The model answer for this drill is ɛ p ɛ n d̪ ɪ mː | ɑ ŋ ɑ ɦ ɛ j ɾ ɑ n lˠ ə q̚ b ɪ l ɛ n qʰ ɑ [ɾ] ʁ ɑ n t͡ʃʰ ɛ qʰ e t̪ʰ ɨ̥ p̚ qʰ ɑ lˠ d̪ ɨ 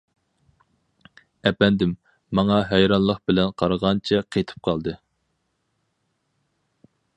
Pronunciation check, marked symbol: correct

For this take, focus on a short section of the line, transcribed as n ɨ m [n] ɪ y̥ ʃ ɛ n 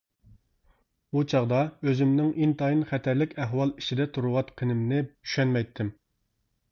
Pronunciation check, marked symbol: correct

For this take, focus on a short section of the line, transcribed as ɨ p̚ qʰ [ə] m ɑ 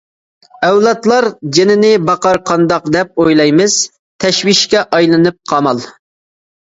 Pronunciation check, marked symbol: incorrect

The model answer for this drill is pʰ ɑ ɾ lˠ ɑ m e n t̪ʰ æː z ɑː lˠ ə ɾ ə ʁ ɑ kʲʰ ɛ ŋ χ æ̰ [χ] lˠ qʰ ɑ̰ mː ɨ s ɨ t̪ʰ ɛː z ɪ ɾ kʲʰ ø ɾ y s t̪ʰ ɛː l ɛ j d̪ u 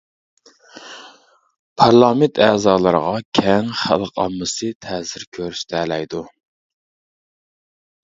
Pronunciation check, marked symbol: incorrect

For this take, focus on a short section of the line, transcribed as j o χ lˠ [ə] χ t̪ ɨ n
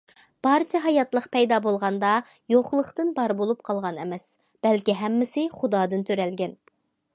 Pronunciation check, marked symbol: correct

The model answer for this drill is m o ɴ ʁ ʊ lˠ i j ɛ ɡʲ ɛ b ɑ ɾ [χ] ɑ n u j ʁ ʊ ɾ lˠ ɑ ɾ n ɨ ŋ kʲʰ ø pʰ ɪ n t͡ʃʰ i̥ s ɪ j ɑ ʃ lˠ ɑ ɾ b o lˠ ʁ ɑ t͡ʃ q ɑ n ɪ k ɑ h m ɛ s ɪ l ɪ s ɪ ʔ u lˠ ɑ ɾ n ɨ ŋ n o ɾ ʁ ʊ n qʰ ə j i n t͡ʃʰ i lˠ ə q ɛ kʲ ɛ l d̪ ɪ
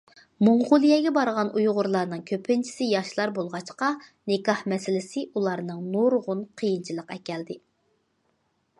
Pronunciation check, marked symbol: incorrect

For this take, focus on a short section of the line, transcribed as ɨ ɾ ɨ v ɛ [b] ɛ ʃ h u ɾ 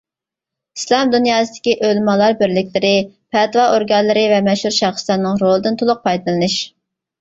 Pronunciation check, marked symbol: incorrect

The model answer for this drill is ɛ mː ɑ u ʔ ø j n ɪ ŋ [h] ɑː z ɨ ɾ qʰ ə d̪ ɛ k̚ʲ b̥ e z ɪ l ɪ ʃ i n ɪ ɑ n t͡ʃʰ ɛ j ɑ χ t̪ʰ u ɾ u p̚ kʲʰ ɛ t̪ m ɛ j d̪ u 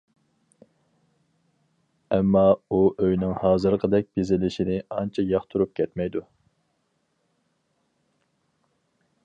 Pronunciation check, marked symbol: correct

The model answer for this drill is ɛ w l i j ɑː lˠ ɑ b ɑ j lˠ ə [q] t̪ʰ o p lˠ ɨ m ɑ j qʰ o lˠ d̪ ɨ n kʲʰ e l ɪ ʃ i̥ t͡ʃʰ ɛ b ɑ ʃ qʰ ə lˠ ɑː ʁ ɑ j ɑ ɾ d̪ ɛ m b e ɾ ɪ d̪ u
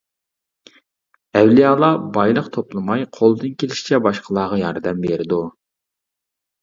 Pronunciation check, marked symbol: correct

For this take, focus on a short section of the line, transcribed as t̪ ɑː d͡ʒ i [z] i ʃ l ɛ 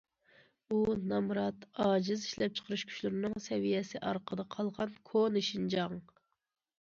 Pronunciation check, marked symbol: correct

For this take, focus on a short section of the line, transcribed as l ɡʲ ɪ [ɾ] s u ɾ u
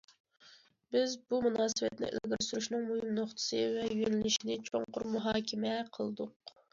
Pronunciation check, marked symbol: correct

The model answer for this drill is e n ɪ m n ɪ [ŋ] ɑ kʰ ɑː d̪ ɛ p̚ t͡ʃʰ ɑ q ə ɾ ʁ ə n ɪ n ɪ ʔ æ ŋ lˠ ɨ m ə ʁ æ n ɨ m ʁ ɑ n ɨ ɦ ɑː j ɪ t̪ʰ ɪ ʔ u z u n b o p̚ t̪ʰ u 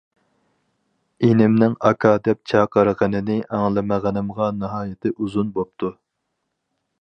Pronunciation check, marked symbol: correct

